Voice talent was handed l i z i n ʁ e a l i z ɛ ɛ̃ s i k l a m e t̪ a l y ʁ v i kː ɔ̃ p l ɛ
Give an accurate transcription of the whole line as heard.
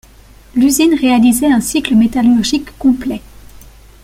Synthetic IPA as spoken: l y z i n ʁ e a l i z ɛ ɛ̃ s i k l ə m e t̪ a l y ʁ ʒ i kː ɔ̃ p l ɛ